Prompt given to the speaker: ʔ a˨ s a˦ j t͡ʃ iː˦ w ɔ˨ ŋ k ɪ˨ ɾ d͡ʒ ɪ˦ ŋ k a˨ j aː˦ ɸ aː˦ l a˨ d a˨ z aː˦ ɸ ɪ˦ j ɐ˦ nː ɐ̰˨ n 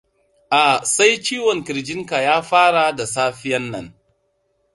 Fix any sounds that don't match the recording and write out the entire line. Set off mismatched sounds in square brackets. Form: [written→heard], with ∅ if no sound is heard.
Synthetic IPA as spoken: ʔ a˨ s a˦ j t͡ʃ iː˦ w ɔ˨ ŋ k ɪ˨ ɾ d͡ʒ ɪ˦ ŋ k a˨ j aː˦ ɸ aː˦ [l→ɽ] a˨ d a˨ [z→s] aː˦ ɸ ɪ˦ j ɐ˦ nː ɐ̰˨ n

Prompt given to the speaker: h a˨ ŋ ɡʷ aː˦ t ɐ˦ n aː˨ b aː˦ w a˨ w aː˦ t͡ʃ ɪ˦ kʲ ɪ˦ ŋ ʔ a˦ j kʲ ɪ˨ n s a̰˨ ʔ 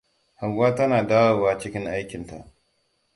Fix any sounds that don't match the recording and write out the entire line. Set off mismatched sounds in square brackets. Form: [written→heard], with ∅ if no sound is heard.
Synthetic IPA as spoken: h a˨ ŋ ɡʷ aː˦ t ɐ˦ n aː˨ [b→d] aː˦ w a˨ w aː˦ t͡ʃ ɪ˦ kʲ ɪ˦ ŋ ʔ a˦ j kʲ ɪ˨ n [s→t] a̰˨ ʔ

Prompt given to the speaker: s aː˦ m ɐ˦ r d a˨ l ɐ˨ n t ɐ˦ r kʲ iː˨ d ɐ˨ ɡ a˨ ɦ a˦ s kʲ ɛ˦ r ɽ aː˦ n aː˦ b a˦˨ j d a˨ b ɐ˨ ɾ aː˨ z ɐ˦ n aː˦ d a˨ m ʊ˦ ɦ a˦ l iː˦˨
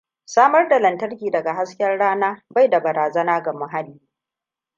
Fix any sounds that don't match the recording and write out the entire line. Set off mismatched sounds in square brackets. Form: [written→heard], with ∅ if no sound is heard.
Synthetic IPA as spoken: s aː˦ m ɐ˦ r d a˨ l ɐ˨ n t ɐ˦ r kʲ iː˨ d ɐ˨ ɡ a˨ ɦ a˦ s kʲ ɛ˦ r ɽ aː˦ n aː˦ b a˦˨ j d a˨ b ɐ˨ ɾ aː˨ z ɐ˦ n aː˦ [d→ɡ] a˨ m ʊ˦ ɦ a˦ l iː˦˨

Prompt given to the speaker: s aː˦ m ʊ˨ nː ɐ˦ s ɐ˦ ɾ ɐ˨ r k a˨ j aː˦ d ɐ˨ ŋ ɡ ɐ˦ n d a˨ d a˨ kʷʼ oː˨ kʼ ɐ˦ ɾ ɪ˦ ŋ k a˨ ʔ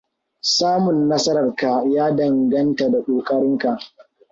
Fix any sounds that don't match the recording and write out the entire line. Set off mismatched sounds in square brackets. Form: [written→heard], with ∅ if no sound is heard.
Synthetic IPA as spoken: s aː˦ m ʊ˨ nː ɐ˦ s ɐ˦ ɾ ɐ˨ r k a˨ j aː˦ d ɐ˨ ŋ ɡ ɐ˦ n [d→t] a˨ d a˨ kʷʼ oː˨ kʼ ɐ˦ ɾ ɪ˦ ŋ k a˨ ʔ

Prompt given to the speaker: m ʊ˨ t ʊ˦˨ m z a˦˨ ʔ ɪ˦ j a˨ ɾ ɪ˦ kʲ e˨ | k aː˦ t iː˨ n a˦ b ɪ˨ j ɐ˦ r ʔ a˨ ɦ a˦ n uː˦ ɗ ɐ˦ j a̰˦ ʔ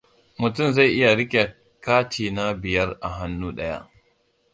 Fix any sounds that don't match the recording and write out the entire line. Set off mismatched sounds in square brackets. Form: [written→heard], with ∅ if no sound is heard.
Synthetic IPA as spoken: m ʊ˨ t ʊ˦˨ m z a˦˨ ʔ ɪ˦ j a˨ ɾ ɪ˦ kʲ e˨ | k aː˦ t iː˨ n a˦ b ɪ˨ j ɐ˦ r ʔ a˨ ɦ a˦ [n→nː] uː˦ ɗ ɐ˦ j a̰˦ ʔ

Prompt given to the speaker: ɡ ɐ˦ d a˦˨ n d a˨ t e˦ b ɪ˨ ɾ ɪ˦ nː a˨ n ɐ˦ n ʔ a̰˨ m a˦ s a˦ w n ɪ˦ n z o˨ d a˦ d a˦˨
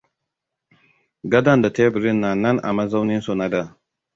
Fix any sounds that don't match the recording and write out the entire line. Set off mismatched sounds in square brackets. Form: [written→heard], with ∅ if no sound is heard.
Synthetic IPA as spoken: ɡ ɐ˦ d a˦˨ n d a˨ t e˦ b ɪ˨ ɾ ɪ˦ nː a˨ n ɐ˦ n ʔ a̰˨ m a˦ [s→z] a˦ w n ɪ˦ n [z→s] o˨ [d→n] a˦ d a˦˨

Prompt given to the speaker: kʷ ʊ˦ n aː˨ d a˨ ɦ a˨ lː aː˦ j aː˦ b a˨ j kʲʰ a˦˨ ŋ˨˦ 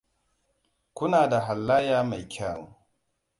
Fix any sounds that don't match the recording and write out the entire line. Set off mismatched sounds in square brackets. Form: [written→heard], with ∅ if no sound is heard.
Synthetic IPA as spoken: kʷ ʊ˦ n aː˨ d a˨ ɦ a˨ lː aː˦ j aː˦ [b→m] a˨ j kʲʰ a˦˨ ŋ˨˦

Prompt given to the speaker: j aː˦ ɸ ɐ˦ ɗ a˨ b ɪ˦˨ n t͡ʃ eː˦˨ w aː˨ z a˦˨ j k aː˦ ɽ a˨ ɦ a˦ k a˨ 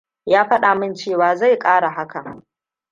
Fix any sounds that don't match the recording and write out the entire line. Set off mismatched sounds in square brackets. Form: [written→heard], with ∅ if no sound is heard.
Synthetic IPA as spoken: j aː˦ ɸ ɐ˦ ɗ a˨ [b→m] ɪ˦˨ n t͡ʃ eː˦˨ w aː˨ z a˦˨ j [k→kʼ] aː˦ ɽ a˨ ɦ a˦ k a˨

